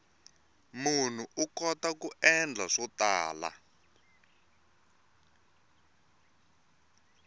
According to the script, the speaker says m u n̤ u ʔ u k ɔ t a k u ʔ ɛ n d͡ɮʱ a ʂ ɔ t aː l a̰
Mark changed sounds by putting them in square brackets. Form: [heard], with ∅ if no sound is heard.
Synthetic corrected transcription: m u n̤ u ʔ u k ɔ t a k u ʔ ɛ n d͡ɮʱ a ʂ ɔ t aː l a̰